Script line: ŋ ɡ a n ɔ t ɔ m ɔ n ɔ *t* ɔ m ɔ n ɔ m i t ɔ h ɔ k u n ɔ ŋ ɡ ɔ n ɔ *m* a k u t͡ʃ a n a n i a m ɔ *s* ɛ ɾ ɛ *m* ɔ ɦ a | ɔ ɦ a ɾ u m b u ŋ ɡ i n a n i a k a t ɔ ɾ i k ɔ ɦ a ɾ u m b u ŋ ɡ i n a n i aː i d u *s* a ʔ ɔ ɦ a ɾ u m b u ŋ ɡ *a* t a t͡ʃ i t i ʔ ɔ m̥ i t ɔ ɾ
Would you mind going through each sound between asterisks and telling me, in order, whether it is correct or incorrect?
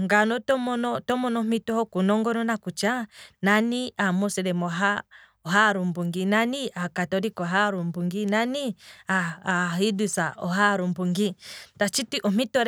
correct, incorrect, correct, correct, correct, incorrect

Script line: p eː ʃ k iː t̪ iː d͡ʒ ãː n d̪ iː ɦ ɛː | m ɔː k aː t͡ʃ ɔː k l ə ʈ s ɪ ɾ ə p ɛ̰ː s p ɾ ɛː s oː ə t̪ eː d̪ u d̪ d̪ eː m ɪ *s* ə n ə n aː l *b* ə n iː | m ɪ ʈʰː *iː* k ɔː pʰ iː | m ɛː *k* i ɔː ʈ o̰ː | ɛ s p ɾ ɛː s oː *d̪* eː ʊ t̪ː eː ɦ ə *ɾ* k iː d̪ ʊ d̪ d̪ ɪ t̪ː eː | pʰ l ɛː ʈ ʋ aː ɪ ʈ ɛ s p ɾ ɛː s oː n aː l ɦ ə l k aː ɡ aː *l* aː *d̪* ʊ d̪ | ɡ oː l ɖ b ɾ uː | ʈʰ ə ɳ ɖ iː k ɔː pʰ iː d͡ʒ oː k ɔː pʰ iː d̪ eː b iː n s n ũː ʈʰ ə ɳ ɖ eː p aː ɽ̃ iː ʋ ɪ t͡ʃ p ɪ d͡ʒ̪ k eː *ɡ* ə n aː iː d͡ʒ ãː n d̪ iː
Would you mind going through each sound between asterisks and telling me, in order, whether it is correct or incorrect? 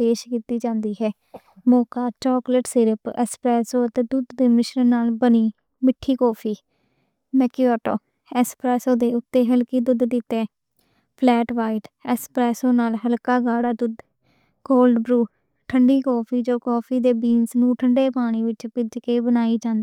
incorrect, correct, correct, correct, correct, incorrect, incorrect, correct, incorrect

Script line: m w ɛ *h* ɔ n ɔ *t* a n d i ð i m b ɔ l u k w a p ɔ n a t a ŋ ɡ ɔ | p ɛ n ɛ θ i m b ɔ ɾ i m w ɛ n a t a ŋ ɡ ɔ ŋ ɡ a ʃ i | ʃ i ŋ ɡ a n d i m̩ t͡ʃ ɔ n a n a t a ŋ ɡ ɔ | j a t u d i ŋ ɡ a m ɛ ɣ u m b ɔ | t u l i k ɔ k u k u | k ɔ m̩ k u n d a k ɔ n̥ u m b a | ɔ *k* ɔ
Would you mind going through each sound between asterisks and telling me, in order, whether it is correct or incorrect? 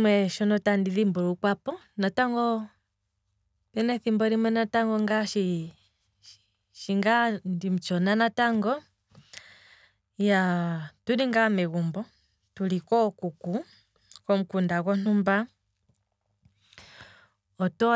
incorrect, correct, incorrect

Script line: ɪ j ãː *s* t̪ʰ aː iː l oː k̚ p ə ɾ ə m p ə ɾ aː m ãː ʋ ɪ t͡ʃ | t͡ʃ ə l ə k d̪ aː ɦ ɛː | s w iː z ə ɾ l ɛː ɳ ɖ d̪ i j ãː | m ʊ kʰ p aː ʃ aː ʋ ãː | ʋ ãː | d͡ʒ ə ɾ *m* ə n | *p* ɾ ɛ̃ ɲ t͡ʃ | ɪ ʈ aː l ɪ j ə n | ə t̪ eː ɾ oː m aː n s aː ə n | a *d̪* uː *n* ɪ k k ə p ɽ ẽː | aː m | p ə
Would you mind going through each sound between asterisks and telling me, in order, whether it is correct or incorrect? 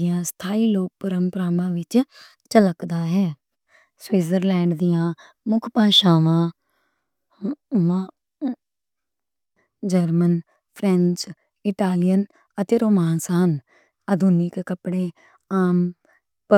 correct, correct, incorrect, correct, correct

